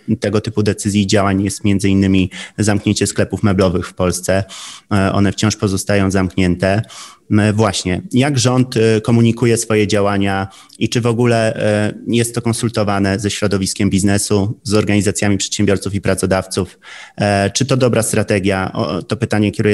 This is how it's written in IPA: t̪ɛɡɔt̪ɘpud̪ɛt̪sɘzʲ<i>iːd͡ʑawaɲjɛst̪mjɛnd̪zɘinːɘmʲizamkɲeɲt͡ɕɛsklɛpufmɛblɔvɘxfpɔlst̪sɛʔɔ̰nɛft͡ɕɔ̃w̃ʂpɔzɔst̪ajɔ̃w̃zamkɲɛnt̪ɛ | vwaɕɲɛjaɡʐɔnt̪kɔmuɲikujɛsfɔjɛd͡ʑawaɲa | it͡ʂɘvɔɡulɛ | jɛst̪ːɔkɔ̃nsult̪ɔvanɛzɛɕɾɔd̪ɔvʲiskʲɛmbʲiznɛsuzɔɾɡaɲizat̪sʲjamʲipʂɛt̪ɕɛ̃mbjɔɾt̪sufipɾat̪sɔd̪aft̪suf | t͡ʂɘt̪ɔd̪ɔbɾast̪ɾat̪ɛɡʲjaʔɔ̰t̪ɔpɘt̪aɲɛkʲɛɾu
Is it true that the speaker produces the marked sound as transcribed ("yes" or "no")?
no